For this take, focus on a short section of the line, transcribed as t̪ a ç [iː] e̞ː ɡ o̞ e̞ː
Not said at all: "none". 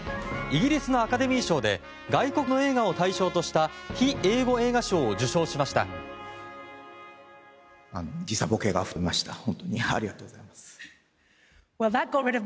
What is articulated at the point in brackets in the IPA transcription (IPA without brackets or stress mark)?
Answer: i